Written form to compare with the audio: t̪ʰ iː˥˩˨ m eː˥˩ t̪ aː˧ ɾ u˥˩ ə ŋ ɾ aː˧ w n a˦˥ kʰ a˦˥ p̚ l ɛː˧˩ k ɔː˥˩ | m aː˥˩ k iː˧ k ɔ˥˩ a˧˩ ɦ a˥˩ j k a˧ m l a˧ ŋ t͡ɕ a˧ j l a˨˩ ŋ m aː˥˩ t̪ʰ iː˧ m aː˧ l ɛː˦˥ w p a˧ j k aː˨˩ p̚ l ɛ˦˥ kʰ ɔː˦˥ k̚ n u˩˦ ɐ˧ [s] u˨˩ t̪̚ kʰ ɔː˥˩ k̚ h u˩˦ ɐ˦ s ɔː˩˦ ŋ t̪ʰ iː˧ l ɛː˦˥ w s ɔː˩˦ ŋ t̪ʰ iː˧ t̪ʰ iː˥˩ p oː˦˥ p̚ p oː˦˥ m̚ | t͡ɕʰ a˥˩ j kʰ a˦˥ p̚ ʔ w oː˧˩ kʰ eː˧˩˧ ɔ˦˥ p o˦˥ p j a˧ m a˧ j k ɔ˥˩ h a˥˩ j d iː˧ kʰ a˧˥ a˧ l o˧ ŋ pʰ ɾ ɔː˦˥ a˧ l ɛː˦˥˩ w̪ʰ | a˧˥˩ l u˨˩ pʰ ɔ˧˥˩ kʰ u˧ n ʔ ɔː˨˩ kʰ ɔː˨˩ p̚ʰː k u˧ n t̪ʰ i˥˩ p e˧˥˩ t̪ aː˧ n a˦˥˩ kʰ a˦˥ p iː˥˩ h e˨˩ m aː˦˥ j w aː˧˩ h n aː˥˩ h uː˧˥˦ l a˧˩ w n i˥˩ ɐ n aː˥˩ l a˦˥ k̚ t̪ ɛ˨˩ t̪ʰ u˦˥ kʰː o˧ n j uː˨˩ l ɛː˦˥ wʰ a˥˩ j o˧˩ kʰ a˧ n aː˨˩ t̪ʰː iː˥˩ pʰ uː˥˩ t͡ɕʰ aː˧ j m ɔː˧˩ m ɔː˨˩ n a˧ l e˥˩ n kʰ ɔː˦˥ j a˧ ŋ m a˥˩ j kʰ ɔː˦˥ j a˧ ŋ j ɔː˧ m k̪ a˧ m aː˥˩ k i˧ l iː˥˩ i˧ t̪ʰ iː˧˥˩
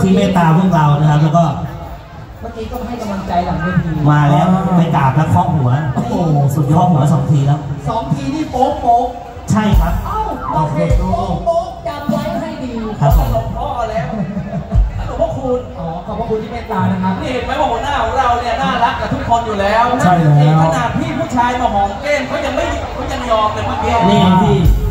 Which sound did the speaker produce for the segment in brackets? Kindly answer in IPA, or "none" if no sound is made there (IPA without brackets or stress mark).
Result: s